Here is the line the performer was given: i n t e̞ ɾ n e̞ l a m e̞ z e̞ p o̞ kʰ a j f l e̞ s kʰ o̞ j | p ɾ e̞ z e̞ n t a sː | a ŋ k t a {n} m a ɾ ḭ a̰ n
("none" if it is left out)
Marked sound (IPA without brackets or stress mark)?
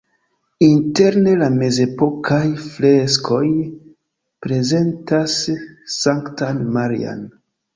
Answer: n